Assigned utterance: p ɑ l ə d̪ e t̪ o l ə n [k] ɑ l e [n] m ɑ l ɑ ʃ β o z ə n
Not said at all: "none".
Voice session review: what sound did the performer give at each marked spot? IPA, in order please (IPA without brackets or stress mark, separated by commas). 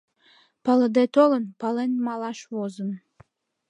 p, n